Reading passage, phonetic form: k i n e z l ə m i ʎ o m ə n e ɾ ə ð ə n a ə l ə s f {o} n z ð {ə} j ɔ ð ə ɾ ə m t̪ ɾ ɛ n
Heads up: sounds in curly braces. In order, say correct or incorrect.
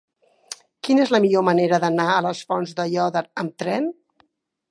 incorrect: ɔ, correct

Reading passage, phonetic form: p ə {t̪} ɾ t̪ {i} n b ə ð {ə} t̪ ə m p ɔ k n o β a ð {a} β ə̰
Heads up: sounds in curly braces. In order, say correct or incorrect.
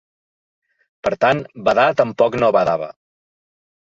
incorrect: none, incorrect: a, incorrect: a, correct

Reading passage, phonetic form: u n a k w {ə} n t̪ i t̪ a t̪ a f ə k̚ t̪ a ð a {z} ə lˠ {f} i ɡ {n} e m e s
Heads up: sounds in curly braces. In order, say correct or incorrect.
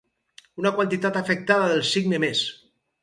incorrect: a, incorrect: ð, incorrect: s, correct

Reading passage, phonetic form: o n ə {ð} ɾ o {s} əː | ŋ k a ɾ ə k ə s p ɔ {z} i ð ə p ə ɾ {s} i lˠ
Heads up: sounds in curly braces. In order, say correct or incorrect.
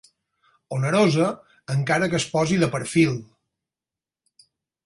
incorrect: none, incorrect: z, correct, incorrect: f

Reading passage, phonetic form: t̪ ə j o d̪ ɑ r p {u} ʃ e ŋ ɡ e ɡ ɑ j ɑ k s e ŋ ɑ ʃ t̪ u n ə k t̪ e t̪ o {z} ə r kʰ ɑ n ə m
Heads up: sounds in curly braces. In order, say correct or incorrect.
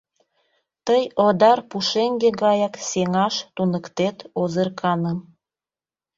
correct, correct

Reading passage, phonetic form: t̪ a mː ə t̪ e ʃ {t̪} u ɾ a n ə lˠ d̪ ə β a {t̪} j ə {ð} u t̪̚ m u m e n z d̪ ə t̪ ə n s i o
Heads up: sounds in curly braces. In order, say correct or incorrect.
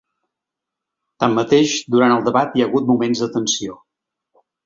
incorrect: d̪, correct, incorrect: ɣ

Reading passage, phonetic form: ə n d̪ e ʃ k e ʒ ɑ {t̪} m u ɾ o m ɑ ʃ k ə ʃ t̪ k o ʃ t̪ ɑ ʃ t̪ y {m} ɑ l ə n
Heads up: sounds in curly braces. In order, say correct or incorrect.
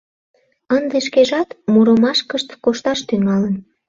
correct, incorrect: ŋ

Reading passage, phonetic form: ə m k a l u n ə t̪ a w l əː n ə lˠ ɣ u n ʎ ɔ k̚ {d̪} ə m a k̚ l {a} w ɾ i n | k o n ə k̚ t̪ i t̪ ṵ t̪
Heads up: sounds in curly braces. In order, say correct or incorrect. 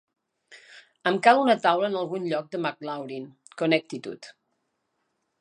correct, correct

